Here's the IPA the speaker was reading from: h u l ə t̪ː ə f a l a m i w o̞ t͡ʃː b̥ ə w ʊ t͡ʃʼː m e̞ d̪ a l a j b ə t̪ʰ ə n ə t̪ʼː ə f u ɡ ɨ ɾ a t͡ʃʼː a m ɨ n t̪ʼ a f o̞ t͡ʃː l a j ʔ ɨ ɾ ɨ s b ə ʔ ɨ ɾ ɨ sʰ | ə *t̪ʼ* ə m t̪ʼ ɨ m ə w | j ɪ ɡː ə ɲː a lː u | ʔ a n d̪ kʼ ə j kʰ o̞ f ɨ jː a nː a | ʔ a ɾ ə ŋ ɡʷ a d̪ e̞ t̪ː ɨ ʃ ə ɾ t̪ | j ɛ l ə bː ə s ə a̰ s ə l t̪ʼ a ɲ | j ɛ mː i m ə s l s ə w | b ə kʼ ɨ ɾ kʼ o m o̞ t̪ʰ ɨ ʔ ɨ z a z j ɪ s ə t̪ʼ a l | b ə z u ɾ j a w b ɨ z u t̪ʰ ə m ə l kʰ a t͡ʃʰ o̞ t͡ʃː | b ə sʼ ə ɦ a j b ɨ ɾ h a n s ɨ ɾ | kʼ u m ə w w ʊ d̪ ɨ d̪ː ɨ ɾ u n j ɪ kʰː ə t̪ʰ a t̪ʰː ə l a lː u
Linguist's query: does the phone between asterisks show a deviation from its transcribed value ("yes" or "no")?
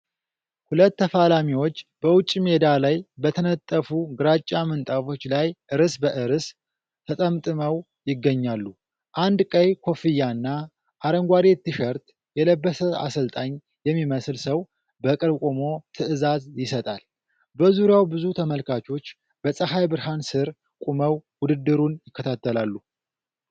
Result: no